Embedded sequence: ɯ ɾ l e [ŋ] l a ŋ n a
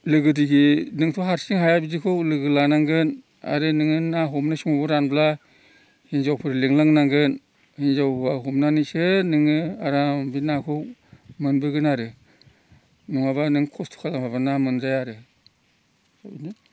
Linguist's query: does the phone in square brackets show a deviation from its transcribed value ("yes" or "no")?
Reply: no